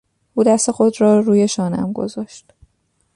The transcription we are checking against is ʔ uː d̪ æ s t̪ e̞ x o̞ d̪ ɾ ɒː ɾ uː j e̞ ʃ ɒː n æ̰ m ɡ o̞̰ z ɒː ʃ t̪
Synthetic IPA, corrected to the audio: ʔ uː d̪ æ s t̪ e̞ x o̞ d̪ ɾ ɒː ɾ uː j e̞ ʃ ɒː n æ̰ m ɡ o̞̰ z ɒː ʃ t̪